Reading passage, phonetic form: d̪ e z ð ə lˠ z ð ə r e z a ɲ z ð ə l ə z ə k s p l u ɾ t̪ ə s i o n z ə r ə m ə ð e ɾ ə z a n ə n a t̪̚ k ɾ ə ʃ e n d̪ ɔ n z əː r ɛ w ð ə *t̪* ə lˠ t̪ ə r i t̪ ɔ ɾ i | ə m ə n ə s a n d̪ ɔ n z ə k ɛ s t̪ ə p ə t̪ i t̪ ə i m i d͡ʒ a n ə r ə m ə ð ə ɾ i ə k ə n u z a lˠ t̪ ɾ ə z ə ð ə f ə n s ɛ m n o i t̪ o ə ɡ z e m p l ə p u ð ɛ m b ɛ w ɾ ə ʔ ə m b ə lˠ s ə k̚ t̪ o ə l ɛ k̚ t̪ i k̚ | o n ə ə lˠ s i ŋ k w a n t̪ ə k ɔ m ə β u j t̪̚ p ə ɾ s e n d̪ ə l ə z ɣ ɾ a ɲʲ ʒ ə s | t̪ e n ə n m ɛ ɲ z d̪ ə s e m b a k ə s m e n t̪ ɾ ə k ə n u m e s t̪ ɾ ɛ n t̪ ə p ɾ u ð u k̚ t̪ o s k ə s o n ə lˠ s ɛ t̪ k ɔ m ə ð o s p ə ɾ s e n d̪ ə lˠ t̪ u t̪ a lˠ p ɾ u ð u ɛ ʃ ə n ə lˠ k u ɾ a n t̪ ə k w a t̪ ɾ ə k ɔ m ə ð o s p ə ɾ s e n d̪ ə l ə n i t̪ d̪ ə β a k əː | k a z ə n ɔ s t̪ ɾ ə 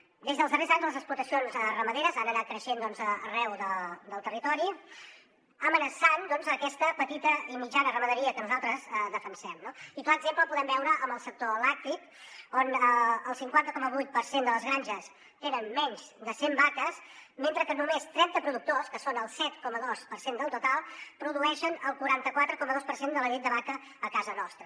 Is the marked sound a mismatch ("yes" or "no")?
yes